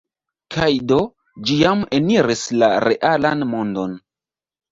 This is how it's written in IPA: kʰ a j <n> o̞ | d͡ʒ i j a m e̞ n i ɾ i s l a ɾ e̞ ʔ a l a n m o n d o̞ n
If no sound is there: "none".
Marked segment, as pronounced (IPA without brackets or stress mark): d